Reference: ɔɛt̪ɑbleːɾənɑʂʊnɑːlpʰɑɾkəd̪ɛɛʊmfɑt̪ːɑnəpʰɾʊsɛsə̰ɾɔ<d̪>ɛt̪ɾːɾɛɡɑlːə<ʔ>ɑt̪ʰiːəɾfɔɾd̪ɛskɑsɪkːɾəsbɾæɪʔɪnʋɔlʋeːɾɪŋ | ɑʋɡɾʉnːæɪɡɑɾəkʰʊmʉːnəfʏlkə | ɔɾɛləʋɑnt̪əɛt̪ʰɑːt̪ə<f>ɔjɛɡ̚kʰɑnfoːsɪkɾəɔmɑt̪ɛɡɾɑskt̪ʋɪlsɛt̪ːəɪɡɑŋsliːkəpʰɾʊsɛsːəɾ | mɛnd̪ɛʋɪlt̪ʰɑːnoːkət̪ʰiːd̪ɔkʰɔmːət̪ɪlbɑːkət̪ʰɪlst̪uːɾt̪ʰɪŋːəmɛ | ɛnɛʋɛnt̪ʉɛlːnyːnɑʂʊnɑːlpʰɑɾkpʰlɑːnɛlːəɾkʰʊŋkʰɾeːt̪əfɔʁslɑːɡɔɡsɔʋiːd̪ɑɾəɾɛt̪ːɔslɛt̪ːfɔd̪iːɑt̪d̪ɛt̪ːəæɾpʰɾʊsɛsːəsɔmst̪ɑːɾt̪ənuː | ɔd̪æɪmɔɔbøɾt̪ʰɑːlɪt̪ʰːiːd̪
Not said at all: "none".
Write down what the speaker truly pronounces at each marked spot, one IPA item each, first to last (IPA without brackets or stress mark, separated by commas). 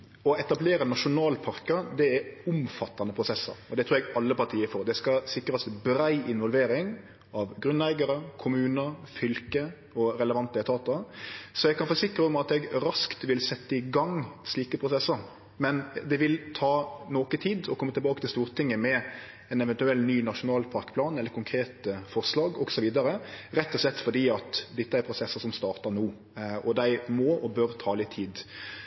d̪, p, s